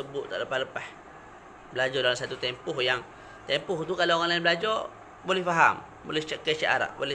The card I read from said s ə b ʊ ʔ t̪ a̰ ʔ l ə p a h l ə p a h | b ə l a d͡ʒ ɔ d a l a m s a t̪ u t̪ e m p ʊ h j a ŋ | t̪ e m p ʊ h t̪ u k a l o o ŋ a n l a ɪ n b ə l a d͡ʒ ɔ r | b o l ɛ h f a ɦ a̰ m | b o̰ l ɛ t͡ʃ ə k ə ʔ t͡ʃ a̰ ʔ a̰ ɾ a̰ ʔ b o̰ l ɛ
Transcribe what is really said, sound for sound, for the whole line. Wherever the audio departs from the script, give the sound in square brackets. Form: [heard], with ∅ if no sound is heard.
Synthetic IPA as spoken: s ə b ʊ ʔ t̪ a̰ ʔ l ə p a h l ə p a h | b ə l a d͡ʒ ɔ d a l a m s a t̪ u t̪ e m p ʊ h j a ŋ | t̪ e m p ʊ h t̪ u k a l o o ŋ a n l a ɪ n b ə l a d͡ʒ ɔ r | b o l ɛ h f a ɦ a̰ m | b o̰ l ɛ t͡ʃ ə k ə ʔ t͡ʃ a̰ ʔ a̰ ɾ a̰ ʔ b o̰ l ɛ